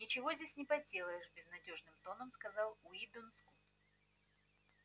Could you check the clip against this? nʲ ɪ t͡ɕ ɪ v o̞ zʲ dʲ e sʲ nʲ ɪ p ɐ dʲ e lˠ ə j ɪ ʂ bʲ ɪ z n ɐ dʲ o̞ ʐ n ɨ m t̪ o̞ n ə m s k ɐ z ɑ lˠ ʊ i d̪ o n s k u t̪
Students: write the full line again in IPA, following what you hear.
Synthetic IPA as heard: nʲ ɪ t͡ɕ ɪ v o̞ zʲ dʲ e sʲ nʲ ɪ p ɐ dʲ e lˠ ə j ɪ ʂ bʲ ɪ z n ɐ dʲ o̞ ʐ n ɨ m t̪ o̞ n ə m s k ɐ z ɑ lˠ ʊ i d̪ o n s k u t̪